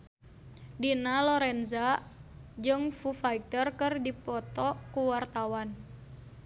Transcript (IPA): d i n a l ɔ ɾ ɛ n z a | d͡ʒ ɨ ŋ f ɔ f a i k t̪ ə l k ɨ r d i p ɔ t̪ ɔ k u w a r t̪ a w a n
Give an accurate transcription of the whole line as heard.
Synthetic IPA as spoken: d i n a l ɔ ɾ ɛ n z a | d͡ʒ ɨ ŋ f u f a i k t̪ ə r k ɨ r d i p ɔ t̪ ɔ k u w a r t̪ a w a n